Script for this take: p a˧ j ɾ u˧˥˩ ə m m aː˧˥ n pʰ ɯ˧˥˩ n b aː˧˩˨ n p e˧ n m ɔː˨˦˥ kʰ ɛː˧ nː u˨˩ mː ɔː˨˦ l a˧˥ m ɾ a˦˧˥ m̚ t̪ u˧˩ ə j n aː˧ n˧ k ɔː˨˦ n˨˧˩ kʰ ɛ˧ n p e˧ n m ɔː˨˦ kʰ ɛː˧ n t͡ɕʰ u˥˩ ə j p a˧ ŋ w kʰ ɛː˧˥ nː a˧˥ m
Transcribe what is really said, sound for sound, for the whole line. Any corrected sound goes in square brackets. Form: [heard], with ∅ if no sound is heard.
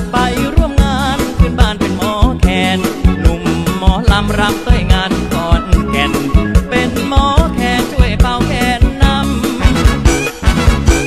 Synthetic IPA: p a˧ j ɾ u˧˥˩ ə m [ŋ] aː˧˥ n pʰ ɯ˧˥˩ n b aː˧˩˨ n p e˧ n m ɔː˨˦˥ kʰ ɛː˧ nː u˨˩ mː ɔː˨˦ l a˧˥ m ɾ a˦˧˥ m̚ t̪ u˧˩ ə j [ŋ] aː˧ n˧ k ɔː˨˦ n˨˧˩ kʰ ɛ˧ n p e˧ n m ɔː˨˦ kʰ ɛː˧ n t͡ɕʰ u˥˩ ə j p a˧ [∅] w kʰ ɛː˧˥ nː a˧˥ m